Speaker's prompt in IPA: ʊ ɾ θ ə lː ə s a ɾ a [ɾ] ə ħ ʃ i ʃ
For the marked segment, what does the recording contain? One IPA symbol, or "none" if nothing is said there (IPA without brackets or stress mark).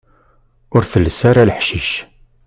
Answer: l